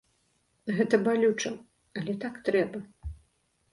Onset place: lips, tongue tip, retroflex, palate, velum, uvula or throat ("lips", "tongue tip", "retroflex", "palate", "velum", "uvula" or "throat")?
velum